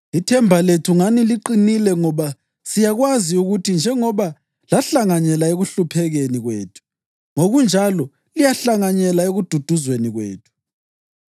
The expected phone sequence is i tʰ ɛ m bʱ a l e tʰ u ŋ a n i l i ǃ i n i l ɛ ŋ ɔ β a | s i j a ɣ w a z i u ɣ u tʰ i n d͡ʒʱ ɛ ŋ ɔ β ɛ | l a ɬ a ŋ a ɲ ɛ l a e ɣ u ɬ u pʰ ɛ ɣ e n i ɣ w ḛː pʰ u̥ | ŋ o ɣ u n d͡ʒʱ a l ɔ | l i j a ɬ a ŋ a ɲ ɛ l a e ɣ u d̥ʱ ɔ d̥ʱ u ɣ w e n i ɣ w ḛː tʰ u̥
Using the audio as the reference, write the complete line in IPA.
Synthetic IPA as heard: i tʰ ɛ m bʱ a l e tʰ u ŋ a n i l i ǃ i n i l ɛ ŋ ɔ β a | s i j a ɣ w a z i u ɣ u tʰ i n d͡ʒʱ ɛ ŋ ɔ β a | l a ɬ a ŋ a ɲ ɛ l a e ɣ u ɬ u pʰ ɛ ɣ e n i ɣ w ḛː tʰ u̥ | ŋ o ɣ u n d͡ʒʱ a l ɔ | l i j a ɬ a ŋ a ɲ ɛ l a e ɣ u d̥ʱ u d̥ʱ u z w e n i ɣ w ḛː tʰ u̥